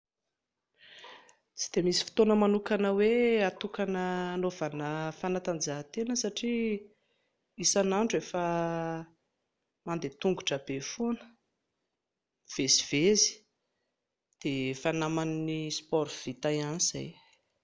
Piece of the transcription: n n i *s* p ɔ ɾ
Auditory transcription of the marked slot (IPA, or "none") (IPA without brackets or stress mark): s